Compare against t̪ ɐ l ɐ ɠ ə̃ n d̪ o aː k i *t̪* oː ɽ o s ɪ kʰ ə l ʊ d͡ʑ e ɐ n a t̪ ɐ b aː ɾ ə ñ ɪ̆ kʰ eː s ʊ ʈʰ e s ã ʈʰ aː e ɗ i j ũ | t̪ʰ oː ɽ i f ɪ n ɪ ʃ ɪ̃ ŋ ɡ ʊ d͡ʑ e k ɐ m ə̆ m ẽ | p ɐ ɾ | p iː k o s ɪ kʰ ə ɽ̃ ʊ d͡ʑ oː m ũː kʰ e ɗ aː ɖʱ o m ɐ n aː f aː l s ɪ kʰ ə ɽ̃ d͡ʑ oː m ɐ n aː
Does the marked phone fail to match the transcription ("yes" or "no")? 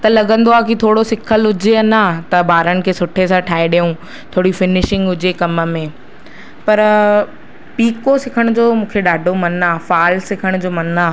yes